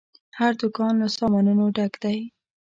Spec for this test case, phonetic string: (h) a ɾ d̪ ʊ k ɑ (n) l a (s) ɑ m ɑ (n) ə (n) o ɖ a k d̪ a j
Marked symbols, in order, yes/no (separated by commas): yes, yes, yes, yes, yes